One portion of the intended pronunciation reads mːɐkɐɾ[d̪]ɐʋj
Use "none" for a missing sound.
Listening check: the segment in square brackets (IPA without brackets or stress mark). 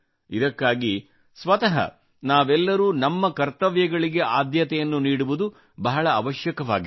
t̪